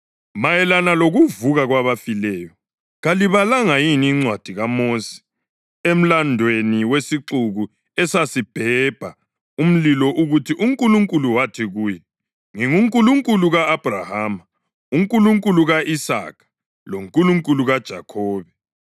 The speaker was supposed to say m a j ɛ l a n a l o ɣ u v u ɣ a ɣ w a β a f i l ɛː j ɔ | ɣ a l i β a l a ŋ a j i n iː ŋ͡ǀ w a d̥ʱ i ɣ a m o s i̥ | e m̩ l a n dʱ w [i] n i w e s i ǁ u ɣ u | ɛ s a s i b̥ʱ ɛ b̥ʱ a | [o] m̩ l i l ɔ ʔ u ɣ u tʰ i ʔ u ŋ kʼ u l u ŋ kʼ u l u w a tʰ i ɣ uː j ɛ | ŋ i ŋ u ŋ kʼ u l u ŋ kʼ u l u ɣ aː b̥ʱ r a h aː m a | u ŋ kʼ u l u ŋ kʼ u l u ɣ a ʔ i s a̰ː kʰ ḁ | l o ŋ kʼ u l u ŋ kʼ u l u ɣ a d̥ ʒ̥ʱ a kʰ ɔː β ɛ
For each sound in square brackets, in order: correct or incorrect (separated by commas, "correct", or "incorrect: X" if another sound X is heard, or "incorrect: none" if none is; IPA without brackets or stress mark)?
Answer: incorrect: e, incorrect: u